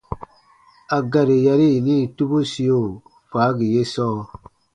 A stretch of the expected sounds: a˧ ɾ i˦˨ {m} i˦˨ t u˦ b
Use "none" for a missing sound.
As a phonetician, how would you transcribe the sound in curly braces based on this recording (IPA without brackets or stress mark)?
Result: n